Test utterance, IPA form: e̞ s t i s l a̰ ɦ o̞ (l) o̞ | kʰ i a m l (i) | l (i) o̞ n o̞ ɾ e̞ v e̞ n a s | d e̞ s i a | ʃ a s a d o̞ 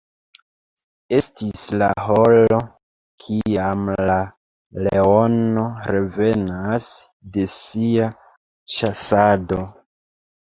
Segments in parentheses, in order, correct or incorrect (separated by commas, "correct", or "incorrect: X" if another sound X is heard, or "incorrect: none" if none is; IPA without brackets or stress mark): correct, incorrect: a, incorrect: e